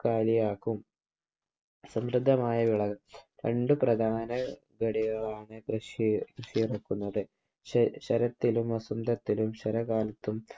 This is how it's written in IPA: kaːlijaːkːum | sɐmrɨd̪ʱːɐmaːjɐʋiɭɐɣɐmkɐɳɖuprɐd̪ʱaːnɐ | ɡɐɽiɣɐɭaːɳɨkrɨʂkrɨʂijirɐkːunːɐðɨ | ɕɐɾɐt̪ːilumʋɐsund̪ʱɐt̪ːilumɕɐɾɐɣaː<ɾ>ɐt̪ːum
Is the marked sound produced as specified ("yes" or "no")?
no